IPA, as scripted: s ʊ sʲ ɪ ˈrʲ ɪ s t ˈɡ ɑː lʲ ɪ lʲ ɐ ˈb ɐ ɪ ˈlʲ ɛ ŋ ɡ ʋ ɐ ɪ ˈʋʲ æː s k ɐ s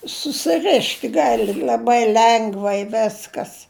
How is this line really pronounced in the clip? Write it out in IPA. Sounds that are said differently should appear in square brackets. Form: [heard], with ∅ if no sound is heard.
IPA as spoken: s ʊ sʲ ɪ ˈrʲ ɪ [ʃ] t ˈɡ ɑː lʲ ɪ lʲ ɐ ˈb ɐ ɪ ˈlʲ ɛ ŋ ɡ ʋ ɐ ɪ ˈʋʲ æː s k ɐ s